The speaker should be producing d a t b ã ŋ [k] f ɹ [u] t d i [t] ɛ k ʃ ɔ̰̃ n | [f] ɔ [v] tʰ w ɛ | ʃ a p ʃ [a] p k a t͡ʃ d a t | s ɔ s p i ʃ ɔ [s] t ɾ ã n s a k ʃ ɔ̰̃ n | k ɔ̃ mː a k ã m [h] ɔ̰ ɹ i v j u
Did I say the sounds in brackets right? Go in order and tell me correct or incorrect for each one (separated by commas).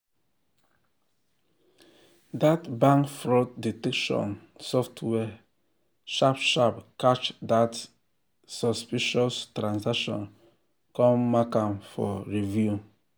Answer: correct, incorrect, correct, incorrect, incorrect, correct, correct, incorrect